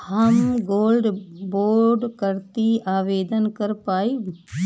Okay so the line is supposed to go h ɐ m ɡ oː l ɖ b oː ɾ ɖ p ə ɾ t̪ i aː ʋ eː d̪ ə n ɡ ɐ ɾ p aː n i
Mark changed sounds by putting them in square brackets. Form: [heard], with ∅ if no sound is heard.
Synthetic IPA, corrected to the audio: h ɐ m ɡ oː l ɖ b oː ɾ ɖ [k] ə ɾ t̪ i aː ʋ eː d̪ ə n [k] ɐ ɾ p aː [∅] i